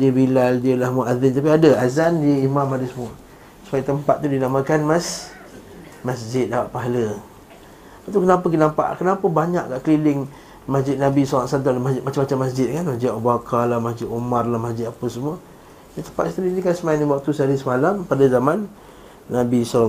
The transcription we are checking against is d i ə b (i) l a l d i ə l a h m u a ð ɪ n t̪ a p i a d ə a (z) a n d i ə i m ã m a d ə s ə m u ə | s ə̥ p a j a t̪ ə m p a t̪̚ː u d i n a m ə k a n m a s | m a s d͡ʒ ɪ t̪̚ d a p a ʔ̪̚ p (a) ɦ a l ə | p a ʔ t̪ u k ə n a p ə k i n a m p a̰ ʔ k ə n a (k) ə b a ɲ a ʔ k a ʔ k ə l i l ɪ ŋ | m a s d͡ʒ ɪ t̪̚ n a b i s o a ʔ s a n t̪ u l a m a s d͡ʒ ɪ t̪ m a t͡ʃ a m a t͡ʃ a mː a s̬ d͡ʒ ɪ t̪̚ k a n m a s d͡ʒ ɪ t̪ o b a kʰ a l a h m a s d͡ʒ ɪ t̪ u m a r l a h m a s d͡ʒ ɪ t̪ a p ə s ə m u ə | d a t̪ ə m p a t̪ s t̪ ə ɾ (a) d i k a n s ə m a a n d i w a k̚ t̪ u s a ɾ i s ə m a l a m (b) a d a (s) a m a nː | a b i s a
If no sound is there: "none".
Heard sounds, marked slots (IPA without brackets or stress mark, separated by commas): i, z, a, p, i, p, z